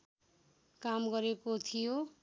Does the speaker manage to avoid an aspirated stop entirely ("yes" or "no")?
no